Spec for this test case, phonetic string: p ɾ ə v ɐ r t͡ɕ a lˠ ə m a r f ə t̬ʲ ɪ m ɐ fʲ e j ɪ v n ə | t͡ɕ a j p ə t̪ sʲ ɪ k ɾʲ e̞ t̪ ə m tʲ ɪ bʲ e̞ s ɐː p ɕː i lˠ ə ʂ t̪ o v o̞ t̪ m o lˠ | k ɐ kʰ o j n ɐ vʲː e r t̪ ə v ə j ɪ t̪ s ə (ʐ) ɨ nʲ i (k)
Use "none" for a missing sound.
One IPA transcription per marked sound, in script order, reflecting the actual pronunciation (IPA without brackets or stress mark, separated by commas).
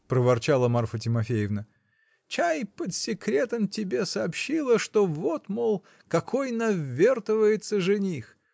ʐ, x